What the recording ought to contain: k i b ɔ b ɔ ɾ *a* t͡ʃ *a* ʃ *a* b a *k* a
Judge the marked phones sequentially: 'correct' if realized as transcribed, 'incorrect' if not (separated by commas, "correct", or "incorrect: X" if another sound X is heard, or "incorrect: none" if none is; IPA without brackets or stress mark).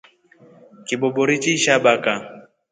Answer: incorrect: i, incorrect: i, correct, correct